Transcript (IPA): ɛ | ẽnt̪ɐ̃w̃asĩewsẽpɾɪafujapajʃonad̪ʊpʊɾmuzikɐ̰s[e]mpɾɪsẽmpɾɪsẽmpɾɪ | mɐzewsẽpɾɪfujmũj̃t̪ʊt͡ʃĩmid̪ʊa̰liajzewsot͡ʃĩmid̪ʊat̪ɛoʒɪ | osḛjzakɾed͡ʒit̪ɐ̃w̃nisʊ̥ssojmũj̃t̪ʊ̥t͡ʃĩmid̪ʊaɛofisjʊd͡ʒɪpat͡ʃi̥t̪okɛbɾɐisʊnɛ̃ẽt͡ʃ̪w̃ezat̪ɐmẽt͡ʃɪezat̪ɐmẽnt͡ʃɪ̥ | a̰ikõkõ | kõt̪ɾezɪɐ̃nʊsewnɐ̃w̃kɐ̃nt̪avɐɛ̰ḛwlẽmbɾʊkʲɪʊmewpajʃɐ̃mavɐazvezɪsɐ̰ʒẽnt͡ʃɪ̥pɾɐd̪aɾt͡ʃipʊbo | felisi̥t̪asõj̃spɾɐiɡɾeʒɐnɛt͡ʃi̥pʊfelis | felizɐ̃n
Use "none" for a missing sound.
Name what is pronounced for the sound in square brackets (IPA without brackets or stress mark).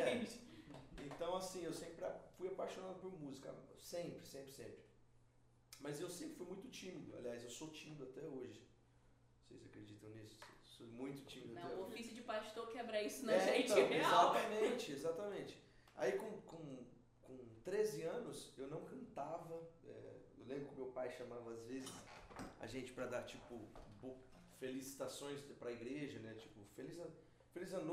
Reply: ẽ